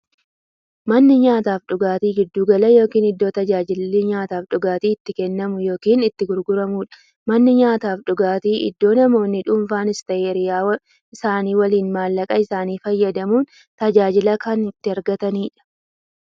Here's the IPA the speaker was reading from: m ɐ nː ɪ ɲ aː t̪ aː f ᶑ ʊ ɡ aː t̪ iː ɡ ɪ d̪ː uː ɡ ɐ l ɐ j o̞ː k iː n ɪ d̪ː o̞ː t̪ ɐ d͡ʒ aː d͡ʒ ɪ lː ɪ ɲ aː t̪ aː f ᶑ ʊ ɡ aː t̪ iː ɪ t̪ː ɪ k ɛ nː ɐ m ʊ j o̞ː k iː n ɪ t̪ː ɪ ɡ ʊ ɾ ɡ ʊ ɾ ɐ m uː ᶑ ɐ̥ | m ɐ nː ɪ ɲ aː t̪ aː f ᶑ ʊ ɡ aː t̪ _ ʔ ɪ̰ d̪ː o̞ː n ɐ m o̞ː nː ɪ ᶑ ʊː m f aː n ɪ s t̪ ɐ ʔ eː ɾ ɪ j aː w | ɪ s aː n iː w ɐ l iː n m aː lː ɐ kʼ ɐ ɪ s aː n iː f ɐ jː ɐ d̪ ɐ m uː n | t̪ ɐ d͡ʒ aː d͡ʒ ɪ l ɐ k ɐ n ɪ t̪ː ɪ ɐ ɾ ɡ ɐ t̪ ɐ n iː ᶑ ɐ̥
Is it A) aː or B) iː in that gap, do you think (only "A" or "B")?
B